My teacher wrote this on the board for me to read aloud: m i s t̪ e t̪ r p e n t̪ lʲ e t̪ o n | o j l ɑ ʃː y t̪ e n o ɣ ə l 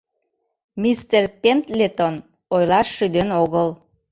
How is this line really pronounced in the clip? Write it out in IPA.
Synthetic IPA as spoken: m i s t̪ e r p e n t̪ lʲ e t̪ o n | o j l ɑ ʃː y d̪ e n o ɣ ə l